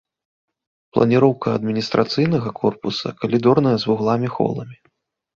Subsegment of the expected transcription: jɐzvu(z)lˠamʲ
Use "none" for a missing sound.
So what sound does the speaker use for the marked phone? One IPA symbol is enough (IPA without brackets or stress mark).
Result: ɣ